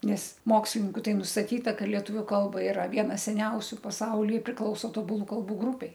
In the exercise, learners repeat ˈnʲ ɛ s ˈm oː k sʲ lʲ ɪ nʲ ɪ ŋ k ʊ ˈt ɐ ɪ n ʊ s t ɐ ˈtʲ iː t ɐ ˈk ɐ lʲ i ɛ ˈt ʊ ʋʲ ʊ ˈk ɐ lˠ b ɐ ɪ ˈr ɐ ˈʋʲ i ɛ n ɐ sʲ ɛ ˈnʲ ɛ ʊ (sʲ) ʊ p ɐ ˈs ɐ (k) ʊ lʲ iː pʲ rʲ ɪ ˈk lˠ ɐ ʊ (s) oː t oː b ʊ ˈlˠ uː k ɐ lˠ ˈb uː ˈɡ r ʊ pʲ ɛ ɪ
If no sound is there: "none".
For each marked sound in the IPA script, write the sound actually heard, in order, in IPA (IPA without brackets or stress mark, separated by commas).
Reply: sʲ, none, s